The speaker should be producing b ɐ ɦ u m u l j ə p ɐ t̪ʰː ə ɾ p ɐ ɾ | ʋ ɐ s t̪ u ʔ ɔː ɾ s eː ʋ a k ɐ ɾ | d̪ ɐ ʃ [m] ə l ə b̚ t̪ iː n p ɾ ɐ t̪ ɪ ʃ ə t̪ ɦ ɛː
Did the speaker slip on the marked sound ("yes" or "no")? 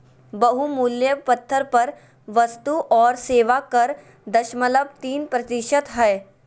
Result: no